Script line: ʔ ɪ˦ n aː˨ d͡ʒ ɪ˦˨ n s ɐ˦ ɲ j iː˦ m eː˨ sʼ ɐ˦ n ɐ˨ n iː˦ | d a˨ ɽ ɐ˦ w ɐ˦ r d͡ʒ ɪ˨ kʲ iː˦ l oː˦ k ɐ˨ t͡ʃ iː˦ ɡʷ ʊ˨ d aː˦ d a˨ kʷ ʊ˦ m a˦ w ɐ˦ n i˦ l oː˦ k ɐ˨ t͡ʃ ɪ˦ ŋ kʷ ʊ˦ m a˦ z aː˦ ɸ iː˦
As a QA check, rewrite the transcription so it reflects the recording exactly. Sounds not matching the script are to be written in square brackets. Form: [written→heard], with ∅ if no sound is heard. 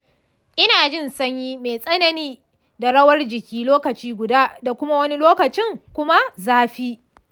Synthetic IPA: ʔ ɪ˦ n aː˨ d͡ʒ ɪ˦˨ n s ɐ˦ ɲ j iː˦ m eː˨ sʼ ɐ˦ n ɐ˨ n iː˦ | d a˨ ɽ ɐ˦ w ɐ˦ r d͡ʒ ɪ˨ kʲ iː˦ l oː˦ k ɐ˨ t͡ʃ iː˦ ɡʷ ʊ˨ d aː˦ d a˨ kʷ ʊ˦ m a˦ w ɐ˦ n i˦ l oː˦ k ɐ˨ t͡ʃ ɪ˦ ŋ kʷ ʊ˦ m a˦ z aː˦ ɸ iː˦